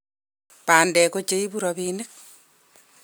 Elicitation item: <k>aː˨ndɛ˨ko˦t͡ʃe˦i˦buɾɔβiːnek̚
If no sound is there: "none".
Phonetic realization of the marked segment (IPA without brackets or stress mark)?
p